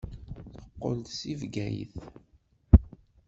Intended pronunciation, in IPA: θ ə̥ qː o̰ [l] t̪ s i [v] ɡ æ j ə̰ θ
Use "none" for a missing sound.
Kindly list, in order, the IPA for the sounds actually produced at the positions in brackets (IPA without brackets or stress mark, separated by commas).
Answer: l, v